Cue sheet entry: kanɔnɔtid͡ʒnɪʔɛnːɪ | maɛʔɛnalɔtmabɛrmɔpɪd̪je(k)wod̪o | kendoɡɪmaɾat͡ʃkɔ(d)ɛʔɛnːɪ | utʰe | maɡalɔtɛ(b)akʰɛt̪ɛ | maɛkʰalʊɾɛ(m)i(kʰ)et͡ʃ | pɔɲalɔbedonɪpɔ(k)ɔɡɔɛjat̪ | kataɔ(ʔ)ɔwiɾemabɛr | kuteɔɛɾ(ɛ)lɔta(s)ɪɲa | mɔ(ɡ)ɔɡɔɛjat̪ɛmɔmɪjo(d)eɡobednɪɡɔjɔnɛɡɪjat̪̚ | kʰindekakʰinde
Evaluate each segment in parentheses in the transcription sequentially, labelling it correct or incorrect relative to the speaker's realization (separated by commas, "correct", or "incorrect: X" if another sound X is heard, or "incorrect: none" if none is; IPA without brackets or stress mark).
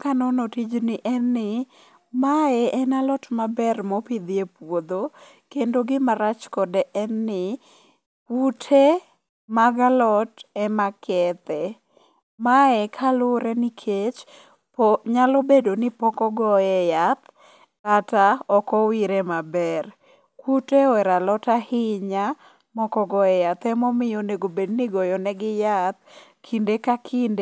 incorrect: p, correct, incorrect: m, incorrect: n, correct, correct, incorrect: k, incorrect: a, incorrect: h, incorrect: k, incorrect: n